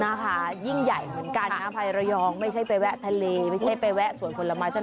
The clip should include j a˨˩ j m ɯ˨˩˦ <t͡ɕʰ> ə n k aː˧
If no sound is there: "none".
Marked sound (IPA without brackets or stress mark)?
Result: none